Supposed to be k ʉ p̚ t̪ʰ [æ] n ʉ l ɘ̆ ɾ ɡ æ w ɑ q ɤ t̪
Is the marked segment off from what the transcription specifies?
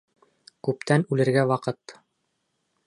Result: no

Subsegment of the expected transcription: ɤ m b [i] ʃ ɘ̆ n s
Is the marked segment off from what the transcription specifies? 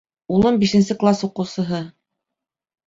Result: no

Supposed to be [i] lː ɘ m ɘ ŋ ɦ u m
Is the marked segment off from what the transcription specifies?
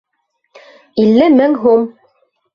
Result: no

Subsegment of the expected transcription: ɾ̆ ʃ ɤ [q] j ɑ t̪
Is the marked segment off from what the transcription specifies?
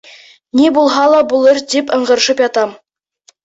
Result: yes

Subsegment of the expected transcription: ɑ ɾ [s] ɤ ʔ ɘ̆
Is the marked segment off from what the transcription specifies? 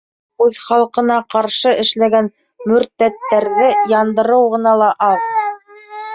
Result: yes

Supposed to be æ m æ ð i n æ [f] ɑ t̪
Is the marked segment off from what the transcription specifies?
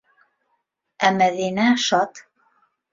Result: yes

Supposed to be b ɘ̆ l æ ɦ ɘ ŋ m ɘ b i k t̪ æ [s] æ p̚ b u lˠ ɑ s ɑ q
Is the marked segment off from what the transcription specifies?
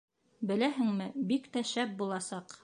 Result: yes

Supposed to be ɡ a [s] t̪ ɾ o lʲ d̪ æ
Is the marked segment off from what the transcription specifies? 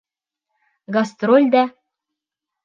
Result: no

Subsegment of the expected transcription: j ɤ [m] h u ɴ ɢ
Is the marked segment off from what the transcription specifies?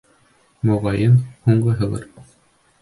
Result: yes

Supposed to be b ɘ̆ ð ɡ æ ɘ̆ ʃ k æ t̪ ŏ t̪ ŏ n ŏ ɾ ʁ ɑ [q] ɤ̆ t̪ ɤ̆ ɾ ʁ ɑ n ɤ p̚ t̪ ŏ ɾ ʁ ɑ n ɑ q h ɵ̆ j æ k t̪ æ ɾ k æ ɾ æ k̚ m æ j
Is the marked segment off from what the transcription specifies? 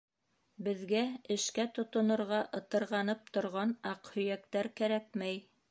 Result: yes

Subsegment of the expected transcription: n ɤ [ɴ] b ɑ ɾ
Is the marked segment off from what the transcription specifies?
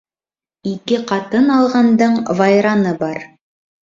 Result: yes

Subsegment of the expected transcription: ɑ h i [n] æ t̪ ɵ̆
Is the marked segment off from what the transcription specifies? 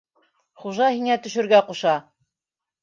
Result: yes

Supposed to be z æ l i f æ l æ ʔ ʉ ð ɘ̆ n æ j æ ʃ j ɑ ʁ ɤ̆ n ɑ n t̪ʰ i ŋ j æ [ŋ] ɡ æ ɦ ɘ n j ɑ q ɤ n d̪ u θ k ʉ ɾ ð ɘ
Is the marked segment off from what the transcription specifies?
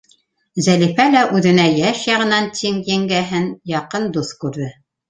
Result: no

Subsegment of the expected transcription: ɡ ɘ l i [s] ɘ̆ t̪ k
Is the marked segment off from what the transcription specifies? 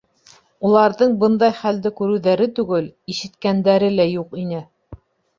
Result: yes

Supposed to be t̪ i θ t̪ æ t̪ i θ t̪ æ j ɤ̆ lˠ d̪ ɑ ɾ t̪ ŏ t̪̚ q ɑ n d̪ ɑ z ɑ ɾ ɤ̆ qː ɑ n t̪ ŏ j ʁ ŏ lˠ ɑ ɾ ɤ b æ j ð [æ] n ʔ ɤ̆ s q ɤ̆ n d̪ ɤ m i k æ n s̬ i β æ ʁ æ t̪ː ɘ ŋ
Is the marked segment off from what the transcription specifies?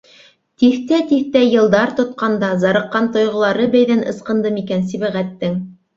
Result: no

